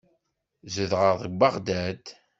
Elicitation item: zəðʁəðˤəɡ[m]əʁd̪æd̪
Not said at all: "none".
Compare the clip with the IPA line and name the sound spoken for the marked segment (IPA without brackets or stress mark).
b